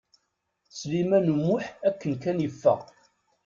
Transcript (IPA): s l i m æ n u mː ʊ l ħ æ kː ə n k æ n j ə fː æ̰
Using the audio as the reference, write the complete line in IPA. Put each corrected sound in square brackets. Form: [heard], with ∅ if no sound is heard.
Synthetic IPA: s l i m æ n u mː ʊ [∅] ħ æ kː ə n k æ n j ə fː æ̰